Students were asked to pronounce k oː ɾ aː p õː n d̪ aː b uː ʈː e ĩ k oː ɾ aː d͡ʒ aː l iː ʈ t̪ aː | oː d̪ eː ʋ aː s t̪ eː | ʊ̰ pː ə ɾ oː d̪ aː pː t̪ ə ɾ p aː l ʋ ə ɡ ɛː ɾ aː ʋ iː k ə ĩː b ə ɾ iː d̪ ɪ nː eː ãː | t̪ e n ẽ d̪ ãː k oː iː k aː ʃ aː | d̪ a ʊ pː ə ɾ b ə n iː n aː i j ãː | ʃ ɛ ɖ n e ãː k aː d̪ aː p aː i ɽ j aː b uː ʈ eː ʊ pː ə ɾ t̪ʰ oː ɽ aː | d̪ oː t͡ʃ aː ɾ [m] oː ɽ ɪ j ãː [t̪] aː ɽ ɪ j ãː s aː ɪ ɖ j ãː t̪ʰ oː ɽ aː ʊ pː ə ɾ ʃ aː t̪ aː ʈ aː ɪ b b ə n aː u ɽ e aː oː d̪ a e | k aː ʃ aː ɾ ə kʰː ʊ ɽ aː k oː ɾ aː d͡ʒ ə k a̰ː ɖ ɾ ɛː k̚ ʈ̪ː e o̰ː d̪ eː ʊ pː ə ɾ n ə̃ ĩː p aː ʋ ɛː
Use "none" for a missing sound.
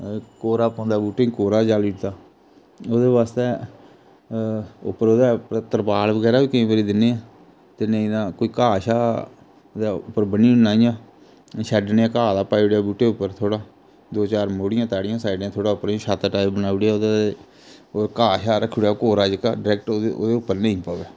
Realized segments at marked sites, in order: m, t̪

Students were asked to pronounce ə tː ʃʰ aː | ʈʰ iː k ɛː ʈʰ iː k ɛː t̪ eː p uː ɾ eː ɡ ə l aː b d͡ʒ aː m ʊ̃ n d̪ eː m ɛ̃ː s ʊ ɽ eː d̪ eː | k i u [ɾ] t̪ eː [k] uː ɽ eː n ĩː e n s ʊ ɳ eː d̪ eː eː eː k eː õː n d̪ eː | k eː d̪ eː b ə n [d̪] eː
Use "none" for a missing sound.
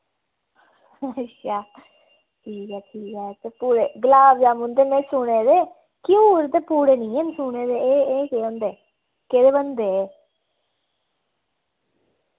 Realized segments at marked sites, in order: ɾ, p, d̪

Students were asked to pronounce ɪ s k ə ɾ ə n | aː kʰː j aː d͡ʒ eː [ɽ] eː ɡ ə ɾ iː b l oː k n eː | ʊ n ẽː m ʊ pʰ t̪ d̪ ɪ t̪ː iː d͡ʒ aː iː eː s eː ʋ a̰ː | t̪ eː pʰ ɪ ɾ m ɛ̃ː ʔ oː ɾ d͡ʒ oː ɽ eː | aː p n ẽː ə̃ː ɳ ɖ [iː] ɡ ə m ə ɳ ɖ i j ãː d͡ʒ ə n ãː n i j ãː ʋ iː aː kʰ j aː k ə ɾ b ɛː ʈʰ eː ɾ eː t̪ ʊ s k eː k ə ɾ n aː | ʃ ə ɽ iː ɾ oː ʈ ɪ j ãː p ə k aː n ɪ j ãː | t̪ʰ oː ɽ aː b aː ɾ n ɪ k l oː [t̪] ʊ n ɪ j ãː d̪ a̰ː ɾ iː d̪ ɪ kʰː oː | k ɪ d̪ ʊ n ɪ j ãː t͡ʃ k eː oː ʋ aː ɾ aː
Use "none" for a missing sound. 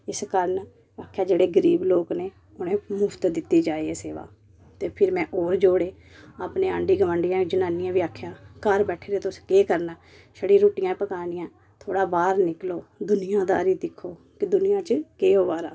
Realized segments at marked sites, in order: ɽ, iː, d̪

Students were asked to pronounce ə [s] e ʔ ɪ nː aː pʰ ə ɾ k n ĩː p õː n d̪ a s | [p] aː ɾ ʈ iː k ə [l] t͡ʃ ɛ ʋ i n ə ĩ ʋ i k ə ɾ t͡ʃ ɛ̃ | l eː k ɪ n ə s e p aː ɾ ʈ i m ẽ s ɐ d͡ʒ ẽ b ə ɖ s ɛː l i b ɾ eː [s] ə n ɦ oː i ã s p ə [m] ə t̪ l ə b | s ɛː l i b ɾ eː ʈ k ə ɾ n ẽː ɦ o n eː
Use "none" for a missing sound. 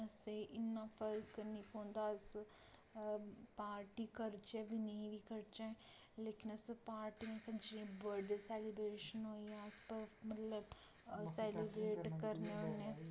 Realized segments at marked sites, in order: s, p, ɾ, ʃ, m

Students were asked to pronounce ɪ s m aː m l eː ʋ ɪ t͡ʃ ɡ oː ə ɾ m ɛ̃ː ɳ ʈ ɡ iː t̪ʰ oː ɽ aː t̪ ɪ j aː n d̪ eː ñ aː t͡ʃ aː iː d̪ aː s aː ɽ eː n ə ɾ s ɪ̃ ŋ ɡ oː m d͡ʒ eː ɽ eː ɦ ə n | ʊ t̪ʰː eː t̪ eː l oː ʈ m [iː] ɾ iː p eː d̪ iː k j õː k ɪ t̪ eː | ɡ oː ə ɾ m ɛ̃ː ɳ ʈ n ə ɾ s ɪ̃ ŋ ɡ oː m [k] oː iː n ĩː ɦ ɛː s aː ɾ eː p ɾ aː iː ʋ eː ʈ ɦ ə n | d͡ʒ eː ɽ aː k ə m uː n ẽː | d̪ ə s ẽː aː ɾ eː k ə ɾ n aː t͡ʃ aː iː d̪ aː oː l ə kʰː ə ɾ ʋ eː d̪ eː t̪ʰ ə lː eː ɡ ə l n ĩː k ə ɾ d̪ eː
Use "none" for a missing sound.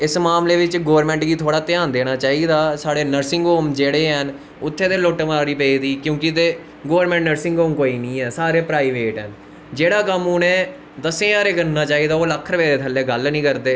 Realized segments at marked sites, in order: aː, k

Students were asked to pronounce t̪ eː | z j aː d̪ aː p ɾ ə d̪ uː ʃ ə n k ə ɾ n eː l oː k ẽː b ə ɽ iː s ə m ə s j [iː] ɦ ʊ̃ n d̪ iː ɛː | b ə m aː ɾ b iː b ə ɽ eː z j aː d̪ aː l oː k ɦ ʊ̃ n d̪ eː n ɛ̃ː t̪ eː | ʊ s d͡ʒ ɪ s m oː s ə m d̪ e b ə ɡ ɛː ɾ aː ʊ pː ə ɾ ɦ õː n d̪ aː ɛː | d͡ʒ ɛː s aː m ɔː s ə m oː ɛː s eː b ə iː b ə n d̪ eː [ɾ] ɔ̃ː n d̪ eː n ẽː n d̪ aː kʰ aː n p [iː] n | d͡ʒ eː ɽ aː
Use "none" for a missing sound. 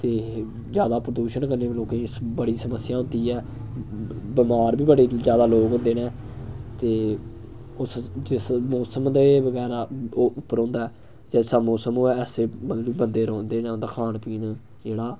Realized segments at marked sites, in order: aː, ɾ, iː

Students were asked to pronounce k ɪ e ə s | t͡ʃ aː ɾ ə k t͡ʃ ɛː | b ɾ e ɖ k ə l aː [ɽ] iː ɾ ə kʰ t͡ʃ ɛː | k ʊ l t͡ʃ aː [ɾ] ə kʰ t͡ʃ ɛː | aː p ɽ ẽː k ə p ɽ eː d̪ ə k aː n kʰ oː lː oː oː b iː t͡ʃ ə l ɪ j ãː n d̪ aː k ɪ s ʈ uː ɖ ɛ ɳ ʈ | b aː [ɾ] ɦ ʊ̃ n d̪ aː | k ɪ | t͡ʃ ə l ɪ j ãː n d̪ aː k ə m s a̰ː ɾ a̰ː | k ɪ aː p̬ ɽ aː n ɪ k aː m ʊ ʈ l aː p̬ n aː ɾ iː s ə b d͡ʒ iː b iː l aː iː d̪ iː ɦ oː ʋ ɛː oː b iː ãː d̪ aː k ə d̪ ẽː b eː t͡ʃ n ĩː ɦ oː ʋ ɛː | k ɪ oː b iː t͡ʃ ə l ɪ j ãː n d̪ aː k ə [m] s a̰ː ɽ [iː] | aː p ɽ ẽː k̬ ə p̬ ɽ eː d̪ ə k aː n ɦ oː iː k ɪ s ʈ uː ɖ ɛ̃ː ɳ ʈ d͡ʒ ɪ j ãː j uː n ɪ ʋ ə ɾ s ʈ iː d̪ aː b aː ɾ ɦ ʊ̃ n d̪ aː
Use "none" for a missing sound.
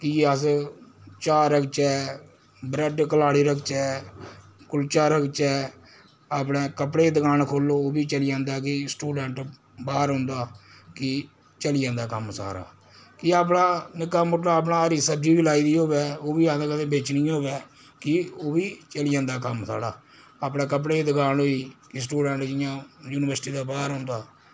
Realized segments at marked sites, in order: ɽ, ɾ, ɾ, m, aː

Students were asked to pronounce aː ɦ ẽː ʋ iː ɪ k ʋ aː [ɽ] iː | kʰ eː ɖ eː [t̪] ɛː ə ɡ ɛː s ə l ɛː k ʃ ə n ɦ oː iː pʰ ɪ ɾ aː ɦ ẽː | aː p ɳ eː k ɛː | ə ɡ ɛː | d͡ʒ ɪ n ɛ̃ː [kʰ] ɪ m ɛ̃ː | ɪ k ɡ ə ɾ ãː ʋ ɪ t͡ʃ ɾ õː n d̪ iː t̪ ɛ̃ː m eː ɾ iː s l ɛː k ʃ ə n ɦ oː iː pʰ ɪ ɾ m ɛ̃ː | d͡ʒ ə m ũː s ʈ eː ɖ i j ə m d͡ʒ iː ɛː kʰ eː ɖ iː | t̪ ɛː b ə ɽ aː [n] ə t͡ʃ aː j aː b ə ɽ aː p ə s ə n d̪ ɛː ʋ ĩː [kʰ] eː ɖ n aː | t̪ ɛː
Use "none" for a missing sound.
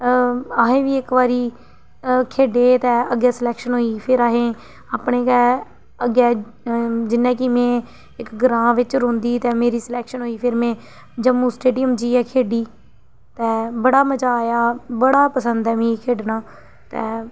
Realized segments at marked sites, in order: ɾ, t̪, k, m, kʰ

